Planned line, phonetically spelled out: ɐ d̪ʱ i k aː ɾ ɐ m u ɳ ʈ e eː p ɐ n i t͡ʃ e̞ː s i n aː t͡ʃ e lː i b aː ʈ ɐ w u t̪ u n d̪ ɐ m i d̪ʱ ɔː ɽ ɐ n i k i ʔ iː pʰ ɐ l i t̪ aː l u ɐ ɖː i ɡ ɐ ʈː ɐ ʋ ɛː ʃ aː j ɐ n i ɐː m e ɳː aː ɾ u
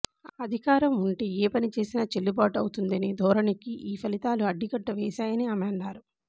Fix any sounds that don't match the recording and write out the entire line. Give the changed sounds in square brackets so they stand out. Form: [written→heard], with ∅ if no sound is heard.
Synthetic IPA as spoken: ɐ d̪ʱ i k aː ɾ ɐ m u ɳ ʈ e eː p ɐ n i t͡ʃ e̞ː s i n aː t͡ʃ e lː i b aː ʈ ɐ w u t̪ u n d̪ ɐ [m→n] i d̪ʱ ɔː [ɽ→ɾ] ɐ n i k i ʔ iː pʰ ɐ l i t̪ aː l u ɐ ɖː i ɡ ɐ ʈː ɐ ʋ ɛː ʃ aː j ɐ n i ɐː m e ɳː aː ɾ u